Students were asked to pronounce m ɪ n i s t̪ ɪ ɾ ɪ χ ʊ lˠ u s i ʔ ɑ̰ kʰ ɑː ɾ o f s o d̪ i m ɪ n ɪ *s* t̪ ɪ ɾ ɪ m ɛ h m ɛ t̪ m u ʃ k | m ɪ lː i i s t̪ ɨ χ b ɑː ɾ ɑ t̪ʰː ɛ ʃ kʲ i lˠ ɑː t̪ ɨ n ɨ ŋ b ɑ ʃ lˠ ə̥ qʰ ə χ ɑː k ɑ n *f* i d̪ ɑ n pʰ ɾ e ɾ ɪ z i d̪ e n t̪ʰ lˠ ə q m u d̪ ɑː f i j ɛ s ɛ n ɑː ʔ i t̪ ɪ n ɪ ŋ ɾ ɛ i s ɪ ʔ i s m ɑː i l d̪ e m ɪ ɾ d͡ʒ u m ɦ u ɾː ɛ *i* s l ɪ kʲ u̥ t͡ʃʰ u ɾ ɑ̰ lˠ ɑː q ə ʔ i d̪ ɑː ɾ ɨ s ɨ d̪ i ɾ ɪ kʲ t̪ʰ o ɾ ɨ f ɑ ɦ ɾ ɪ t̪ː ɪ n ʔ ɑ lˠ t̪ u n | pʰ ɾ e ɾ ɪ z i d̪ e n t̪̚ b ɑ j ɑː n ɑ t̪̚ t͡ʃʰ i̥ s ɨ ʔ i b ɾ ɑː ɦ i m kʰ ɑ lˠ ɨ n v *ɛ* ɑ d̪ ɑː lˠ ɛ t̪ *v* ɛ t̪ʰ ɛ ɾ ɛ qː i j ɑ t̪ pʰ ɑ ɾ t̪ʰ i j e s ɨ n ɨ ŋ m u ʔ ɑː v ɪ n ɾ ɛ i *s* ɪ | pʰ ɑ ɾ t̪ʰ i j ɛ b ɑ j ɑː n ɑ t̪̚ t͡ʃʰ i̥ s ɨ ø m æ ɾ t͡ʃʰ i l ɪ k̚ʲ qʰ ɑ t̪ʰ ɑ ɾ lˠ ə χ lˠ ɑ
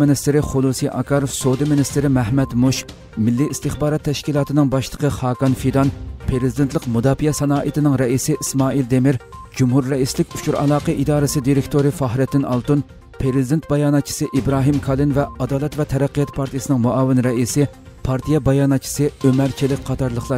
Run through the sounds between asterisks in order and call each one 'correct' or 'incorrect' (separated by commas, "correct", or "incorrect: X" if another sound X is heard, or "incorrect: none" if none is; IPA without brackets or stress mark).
correct, correct, correct, correct, correct, correct